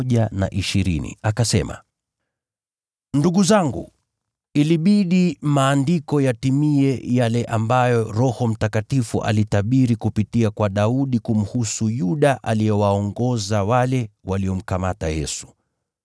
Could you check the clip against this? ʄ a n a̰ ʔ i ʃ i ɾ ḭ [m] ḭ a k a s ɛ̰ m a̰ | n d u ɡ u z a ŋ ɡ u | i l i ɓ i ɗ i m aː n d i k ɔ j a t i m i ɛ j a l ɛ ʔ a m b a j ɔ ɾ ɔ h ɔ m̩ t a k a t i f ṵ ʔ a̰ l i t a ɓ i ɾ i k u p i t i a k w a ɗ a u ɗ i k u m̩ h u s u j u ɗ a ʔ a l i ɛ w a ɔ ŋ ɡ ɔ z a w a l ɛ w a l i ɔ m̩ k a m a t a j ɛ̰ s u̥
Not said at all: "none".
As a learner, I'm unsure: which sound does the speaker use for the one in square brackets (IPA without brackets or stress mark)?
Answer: n